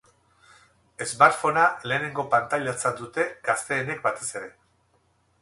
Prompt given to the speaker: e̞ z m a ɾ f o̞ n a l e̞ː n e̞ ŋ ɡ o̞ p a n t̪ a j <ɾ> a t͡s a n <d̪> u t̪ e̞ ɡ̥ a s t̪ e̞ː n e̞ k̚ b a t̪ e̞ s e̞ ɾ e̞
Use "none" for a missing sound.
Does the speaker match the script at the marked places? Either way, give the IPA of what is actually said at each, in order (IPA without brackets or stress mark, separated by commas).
ʎ, d̪